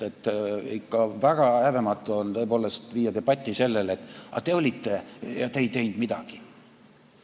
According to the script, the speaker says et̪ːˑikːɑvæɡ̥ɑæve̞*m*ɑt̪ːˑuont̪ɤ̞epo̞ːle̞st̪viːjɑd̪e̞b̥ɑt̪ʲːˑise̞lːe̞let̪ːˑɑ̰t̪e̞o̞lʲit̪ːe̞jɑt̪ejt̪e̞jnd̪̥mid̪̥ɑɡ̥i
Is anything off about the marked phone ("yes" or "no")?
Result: no